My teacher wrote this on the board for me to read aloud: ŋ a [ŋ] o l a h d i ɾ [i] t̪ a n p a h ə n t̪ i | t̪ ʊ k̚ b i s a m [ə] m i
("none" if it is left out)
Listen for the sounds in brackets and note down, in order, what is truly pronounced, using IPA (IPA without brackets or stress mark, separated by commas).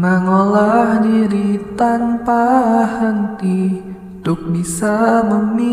ŋ, i, ə